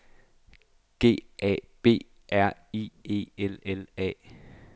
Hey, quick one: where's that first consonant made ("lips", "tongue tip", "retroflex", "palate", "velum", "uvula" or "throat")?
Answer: velum